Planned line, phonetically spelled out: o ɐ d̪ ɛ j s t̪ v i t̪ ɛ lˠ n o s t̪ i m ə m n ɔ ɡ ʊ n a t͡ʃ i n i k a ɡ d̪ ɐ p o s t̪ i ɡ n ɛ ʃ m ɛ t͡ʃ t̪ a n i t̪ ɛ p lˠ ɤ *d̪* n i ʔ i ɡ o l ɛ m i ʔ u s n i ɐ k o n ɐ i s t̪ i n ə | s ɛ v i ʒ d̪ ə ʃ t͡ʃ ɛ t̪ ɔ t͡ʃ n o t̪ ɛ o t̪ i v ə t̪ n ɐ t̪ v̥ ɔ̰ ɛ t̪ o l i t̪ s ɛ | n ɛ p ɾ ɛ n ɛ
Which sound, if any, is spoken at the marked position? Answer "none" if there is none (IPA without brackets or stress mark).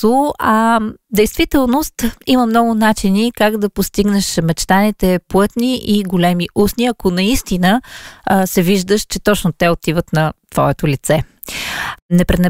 t̪